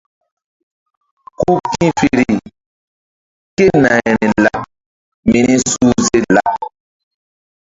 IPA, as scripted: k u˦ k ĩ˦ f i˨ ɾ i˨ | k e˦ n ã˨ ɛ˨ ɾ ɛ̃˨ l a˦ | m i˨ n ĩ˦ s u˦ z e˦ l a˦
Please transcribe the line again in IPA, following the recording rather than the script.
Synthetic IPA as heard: k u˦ k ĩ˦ f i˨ ɾ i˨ | k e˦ n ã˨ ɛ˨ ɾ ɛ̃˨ l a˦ | m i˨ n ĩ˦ s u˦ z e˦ l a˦

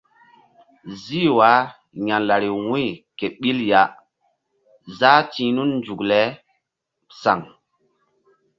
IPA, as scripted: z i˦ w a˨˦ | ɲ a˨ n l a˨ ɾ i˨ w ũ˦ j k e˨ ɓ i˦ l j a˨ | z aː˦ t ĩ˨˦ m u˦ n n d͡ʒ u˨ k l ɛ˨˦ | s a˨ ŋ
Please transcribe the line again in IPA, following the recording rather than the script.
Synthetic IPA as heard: z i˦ w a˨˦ | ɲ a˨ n l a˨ ɾ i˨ w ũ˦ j k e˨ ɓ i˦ l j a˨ | z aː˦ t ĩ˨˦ n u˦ n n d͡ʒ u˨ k l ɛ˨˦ | s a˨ ŋ

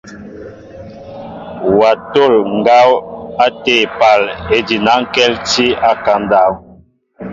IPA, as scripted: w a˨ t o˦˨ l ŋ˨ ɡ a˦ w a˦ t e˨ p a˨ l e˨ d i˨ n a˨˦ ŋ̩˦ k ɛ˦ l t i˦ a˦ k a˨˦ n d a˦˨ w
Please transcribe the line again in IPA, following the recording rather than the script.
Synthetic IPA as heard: w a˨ t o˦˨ l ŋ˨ ɡ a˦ w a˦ t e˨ p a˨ l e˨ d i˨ n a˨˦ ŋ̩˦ k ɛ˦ l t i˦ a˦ k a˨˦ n d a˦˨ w

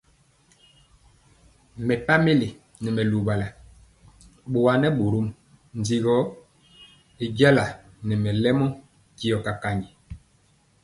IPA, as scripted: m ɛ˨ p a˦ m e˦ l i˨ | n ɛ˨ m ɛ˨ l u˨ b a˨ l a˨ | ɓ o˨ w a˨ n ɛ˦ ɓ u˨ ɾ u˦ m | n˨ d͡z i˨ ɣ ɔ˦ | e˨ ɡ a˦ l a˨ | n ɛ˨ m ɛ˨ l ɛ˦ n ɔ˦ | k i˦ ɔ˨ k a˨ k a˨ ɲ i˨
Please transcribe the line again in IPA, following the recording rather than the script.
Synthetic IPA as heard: m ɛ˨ p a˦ m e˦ l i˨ | n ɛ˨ m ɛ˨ l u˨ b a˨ l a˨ | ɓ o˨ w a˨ n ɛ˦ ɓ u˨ ɾ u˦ m | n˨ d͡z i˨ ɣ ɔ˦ | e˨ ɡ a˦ l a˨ | n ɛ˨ m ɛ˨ l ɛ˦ m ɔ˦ | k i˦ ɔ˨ k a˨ k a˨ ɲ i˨

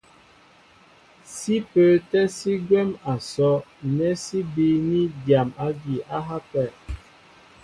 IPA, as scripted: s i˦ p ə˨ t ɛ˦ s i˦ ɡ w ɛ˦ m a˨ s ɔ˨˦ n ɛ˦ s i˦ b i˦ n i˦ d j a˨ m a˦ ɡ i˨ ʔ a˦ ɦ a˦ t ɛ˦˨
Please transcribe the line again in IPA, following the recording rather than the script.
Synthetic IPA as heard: s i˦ p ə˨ t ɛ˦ s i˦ ɡ w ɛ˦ m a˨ s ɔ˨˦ n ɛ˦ s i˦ b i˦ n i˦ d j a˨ m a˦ ɡ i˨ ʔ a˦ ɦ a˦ p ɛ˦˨

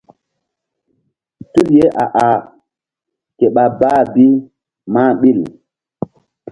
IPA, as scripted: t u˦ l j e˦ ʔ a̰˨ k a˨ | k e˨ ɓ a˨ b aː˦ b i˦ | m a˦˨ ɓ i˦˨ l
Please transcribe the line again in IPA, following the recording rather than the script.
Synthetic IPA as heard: t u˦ l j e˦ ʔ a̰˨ ʔ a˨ | k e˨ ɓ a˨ b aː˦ b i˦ | m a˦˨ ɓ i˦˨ l

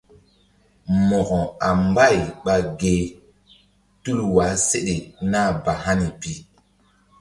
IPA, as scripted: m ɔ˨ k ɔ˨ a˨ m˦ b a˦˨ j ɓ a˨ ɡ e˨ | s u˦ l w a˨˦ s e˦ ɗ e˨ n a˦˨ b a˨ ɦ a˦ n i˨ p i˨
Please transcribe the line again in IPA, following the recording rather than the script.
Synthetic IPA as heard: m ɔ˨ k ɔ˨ a˨ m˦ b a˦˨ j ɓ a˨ ɡ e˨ | t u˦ l w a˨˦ s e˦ ɗ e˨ n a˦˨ b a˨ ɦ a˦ n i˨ p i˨

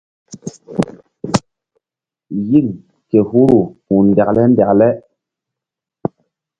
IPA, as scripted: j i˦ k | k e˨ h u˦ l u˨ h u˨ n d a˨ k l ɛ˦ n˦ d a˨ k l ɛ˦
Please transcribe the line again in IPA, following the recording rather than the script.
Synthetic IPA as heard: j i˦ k | k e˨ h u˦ ɾ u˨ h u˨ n d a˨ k l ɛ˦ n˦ d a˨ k l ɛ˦

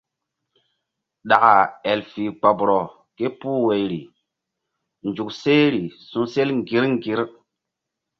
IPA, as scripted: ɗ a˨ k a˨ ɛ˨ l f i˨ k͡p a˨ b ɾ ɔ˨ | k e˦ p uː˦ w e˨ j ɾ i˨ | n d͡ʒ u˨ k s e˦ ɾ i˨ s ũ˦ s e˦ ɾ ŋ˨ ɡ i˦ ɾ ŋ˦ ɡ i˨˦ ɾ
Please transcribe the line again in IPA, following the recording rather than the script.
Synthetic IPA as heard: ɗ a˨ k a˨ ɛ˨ l f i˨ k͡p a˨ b ɾ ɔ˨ | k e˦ p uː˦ w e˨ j ɾ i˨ | n d͡ʒ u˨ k s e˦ ɾ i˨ s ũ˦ s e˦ l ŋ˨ ɡ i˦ ɾ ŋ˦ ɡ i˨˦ ɾ

